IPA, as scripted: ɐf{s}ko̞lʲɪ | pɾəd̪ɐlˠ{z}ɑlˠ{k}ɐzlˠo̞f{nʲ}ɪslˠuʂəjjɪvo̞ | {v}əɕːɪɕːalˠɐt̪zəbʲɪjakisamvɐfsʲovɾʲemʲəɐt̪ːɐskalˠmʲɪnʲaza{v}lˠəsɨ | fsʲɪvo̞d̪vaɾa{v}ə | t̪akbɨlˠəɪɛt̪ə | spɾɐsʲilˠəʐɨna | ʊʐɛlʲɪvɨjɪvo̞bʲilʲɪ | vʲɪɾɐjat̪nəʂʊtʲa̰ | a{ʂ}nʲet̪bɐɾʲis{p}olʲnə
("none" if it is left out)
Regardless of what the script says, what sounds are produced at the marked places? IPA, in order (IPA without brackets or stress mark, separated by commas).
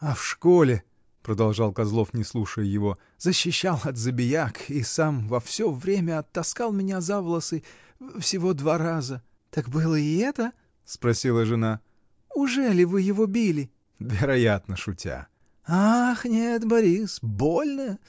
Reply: ʂ, ʐ, k, nʲ, z, v, z, x, b